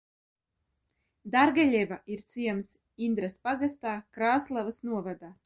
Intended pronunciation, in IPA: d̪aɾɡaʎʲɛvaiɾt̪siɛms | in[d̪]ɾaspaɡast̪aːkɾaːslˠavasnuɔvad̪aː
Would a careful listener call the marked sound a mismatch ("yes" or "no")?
no